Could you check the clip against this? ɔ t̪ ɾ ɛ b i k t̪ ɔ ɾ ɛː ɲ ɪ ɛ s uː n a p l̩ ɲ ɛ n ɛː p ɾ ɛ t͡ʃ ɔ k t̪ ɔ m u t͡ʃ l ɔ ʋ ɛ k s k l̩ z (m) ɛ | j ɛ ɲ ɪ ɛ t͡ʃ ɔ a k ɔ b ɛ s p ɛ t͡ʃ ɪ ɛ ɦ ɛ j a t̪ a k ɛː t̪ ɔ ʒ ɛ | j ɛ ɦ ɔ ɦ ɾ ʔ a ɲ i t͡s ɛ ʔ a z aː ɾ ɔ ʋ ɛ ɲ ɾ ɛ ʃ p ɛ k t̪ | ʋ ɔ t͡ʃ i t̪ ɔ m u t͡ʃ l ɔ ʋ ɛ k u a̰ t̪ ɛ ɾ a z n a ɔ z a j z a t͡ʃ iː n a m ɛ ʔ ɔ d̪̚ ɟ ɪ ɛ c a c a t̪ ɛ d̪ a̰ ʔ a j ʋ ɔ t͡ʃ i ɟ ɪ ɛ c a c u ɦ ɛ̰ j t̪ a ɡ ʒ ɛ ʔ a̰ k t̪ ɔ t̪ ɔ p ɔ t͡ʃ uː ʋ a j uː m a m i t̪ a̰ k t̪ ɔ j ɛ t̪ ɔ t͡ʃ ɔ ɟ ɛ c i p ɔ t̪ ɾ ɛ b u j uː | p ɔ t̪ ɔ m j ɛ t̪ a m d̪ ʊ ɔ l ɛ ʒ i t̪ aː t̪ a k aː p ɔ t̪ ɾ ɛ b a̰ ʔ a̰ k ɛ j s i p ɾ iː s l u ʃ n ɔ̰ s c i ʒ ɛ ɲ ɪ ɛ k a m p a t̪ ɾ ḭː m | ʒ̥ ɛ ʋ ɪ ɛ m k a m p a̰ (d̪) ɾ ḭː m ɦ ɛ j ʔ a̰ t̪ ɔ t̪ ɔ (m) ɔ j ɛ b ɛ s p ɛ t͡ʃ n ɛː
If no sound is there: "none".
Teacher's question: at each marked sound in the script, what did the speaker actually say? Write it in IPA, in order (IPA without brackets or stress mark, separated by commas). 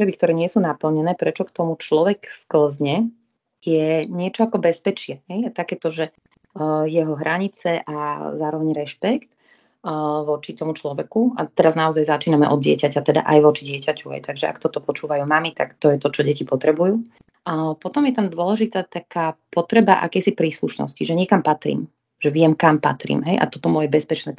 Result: ɲ, t̪, m